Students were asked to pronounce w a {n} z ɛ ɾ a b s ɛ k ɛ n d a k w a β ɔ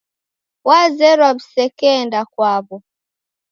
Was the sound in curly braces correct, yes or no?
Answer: no